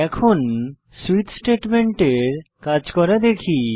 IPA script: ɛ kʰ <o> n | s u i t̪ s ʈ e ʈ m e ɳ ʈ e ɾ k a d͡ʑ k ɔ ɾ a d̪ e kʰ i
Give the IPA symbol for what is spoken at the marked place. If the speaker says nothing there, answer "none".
o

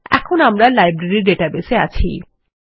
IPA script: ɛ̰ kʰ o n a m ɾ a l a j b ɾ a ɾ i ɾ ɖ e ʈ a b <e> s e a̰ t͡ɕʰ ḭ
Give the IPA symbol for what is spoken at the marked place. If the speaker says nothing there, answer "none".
e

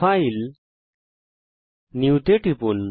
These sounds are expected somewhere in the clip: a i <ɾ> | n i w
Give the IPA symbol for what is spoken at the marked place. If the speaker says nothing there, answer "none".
l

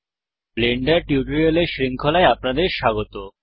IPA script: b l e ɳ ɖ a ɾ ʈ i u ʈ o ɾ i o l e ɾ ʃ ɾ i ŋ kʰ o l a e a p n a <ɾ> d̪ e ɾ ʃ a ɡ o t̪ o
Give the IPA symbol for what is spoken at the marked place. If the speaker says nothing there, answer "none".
none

